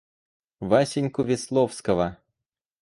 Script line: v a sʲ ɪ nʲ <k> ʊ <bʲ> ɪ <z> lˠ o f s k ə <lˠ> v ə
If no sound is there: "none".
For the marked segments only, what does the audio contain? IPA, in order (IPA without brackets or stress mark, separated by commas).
k, vʲ, s, none